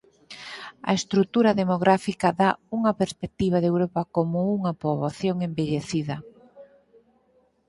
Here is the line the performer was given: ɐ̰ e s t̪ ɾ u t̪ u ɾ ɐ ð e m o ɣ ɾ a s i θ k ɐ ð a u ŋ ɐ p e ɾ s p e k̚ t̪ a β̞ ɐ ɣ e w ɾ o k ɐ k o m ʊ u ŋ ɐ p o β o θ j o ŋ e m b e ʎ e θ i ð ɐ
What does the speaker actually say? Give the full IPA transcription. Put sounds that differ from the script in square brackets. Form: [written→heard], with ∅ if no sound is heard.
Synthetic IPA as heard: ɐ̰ e s t̪ ɾ u t̪ u ɾ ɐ ð e m o ɣ ɾ a [s→f] i [θ→∅] k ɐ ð a u ŋ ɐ p e ɾ s p e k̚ t̪ [a→i] β̞ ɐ [ɣ→ð] e w ɾ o [k→p] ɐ k o m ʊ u ŋ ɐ p o β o θ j o ŋ e m b e ʎ e θ i ð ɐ